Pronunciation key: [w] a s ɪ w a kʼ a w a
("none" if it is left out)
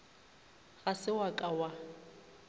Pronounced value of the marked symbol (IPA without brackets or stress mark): ɣ